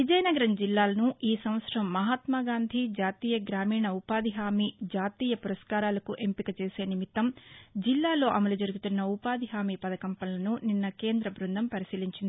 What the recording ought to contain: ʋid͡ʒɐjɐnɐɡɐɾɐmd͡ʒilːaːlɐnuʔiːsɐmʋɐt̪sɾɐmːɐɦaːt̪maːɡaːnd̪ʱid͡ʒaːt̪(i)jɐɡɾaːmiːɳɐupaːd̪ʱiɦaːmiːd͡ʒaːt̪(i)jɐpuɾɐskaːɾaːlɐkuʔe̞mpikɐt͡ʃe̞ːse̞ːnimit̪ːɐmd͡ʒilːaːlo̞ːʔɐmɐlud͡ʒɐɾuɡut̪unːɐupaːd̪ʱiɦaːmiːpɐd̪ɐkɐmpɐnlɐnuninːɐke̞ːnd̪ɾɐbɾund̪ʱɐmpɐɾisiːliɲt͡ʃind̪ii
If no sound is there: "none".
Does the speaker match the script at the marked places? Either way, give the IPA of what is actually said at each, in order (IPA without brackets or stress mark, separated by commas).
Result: iː, iː